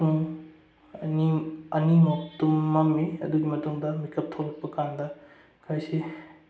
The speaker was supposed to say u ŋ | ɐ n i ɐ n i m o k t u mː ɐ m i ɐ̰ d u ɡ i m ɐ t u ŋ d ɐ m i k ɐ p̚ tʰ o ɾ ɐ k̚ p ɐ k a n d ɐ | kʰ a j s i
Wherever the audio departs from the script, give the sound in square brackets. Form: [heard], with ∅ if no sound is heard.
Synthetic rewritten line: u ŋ | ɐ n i ɐ n i m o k t u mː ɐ m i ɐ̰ d u ɡ i m ɐ t u ŋ d ɐ m i k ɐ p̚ tʰ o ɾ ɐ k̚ p ɐ k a n d ɐ | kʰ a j s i